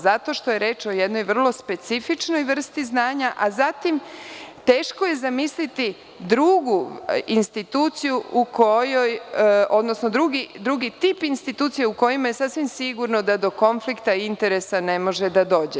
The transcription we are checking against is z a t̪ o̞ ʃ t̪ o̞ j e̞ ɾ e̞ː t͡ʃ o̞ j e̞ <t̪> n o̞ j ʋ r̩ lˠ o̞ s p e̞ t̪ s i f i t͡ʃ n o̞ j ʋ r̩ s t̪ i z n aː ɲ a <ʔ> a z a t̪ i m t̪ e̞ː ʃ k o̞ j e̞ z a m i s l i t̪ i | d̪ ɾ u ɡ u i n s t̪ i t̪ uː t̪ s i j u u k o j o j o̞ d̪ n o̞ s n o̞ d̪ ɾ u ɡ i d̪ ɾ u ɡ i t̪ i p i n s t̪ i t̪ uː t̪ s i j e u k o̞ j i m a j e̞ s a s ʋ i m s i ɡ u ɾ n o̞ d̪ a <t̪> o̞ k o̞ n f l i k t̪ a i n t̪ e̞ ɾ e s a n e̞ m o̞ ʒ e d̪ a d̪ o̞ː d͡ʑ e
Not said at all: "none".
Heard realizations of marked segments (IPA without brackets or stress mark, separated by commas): d̪, ʔ, d̪